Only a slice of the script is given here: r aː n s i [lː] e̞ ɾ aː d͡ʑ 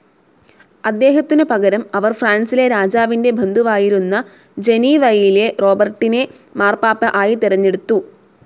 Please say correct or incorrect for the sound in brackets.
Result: incorrect